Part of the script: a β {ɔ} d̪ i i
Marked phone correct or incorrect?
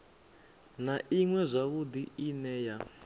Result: incorrect: u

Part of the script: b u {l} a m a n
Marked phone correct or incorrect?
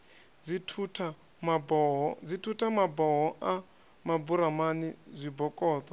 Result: incorrect: ɾ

